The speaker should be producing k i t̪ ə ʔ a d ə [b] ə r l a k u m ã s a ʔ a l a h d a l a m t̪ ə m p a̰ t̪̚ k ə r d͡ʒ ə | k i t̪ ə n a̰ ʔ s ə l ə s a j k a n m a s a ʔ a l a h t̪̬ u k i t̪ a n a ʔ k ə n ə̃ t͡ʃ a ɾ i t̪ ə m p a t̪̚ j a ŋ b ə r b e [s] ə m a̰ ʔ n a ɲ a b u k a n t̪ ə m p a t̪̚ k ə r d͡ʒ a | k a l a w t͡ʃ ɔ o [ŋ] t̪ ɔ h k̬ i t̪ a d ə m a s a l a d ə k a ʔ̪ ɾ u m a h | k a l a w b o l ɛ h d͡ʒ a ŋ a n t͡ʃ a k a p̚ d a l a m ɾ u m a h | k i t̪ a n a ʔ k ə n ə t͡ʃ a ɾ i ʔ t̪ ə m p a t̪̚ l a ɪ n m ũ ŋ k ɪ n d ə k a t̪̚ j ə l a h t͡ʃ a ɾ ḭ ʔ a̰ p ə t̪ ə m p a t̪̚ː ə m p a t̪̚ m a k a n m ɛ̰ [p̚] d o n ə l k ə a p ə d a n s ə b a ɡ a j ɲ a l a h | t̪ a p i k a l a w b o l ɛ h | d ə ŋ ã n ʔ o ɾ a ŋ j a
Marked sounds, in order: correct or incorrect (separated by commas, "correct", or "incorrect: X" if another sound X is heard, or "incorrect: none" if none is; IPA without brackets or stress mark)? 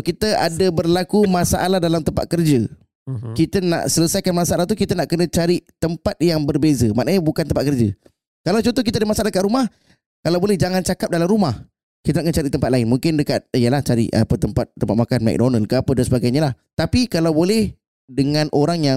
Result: correct, incorrect: z, incorrect: n, incorrect: k̚